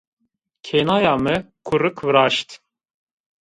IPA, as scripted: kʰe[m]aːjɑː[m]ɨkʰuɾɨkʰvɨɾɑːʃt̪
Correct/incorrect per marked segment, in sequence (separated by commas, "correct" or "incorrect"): incorrect, correct